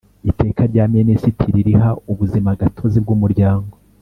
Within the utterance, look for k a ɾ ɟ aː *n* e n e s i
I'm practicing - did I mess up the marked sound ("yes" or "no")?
yes